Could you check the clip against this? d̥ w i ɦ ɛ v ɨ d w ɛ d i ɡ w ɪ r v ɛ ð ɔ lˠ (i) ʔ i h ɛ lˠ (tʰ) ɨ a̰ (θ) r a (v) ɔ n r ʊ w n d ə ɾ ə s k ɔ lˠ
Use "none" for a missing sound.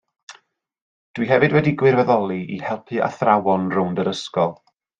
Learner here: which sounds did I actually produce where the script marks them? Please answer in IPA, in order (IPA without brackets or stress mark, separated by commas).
i, pʰ, θ, w